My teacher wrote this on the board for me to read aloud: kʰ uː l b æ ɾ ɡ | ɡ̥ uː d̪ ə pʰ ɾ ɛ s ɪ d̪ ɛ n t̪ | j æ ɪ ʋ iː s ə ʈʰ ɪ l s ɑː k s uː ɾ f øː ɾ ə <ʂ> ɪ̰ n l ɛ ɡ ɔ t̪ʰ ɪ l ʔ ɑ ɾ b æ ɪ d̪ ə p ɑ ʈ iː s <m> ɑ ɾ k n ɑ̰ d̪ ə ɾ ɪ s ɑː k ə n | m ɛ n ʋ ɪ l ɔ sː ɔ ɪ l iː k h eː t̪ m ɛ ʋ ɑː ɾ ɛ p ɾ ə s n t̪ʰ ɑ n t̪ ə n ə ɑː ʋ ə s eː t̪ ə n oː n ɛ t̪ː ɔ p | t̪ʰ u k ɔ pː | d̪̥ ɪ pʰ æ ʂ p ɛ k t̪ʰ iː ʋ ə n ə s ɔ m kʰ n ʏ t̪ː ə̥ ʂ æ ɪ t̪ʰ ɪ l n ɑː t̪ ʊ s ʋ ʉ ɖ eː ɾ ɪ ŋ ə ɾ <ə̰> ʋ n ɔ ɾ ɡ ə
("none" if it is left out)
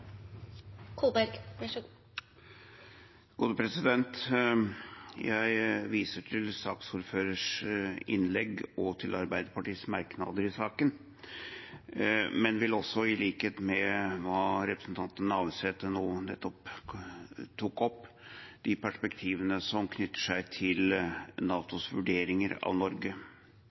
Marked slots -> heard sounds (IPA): ʂ, m, ɑ̰

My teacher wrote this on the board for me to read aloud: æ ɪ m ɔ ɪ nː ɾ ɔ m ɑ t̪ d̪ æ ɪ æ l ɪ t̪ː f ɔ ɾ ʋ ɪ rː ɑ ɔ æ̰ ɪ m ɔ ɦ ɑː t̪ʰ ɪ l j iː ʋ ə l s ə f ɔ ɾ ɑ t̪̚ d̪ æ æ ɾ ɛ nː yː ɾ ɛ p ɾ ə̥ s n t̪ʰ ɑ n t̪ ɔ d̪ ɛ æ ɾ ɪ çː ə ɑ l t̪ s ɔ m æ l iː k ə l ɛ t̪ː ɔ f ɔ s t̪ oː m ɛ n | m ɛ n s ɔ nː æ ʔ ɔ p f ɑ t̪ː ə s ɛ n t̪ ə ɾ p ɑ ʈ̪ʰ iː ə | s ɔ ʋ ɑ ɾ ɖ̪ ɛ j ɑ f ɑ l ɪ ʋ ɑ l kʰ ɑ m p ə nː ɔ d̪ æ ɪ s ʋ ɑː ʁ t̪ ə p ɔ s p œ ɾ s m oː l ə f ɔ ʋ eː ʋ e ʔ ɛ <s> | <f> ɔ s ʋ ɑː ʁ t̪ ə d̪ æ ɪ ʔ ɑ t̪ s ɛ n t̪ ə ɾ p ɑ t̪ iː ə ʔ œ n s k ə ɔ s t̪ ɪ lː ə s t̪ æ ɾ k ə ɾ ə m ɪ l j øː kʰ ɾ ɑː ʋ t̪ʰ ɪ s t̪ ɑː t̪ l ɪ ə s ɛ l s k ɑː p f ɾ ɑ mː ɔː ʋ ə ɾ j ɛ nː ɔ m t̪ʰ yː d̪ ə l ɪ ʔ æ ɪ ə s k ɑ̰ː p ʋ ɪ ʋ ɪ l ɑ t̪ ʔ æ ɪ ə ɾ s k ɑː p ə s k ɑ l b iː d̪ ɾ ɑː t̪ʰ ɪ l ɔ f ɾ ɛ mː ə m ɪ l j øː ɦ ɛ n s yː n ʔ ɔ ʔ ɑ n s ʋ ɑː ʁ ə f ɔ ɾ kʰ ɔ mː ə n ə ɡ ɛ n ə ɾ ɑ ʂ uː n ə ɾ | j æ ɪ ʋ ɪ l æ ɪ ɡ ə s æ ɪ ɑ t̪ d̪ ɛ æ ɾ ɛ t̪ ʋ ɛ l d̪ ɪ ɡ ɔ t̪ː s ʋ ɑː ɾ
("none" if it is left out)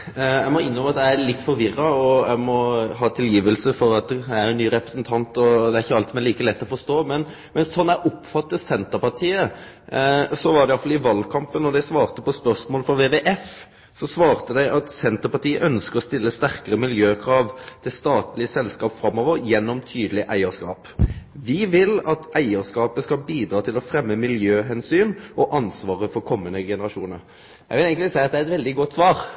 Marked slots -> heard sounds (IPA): f, s

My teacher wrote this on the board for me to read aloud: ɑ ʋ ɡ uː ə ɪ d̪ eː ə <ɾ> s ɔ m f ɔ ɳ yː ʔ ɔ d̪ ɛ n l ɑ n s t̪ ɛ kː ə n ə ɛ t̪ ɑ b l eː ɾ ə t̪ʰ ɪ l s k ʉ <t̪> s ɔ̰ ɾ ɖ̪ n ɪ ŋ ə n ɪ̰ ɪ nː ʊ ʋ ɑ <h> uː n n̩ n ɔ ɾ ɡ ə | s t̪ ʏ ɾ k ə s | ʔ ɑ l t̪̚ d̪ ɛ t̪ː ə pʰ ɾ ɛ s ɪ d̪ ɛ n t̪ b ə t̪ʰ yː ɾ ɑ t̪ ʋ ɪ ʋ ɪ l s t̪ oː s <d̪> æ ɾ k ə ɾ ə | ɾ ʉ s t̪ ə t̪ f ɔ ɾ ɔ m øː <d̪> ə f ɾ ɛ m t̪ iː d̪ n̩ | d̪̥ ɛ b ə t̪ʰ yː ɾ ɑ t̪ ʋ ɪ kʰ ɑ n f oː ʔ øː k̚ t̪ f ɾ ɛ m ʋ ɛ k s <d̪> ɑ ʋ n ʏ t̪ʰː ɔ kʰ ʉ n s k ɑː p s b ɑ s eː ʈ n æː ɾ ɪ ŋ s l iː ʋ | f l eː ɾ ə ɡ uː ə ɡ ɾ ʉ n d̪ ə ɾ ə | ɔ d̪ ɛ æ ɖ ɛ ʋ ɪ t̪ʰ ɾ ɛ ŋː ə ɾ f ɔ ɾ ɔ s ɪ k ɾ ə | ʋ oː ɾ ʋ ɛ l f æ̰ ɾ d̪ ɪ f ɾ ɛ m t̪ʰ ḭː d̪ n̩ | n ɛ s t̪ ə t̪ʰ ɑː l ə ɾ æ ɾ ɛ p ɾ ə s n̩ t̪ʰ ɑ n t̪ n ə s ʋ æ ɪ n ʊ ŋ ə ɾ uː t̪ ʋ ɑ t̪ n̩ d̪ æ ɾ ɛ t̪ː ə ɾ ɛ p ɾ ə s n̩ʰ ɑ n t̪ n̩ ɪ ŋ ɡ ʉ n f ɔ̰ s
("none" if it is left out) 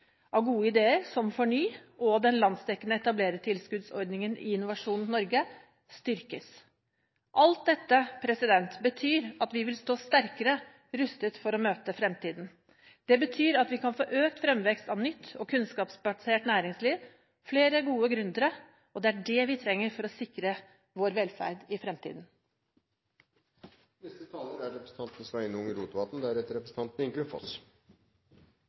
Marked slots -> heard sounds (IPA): ɾ, d̪, ʂ, t̪, t̪, t̪

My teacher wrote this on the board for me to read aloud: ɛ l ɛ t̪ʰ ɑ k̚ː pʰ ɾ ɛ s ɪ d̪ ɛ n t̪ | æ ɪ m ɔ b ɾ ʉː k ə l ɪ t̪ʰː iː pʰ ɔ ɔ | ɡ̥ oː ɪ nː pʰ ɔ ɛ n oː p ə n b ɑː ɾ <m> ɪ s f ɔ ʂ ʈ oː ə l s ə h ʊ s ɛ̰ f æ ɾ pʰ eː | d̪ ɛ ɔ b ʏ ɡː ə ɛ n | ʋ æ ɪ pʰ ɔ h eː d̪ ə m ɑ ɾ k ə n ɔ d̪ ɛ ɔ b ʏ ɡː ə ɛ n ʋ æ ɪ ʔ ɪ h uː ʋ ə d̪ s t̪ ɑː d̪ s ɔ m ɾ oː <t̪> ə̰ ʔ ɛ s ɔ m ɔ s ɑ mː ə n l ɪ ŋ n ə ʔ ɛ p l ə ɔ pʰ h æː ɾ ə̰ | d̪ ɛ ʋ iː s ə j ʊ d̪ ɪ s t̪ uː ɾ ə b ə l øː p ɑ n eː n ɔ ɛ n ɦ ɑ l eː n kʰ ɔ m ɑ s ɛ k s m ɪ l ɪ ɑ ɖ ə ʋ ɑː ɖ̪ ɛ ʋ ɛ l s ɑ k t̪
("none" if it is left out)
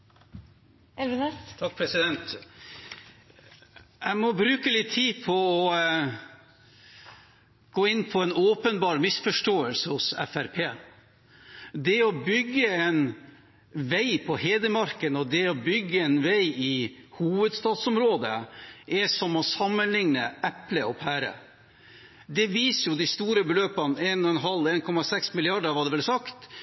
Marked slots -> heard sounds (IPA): m, d̪

